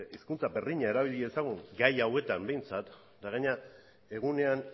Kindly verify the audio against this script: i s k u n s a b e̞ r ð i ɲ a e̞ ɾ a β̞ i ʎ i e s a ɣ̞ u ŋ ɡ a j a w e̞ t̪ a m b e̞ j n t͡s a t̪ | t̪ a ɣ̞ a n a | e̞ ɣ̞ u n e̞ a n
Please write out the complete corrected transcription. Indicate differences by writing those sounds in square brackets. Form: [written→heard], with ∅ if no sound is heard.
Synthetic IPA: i s k u n [s→t͡s] a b e̞ r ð i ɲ a e̞ ɾ a β̞ i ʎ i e s a ɣ̞ u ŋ ɡ a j a w e̞ t̪ a m b e̞ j n t͡s a t̪ | [t̪→d̪] a ɣ̞ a [n→ɲ] a | e̞ ɣ̞ u n e̞ a n